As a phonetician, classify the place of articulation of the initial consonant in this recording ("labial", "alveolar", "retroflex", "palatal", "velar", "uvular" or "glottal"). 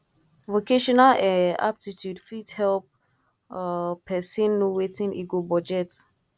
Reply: labial